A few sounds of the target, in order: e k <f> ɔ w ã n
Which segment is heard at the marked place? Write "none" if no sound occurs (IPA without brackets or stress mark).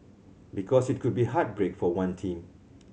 f